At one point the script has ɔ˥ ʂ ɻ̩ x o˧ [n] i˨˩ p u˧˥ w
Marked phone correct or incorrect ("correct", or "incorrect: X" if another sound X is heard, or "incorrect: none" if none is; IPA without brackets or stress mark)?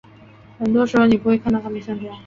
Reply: correct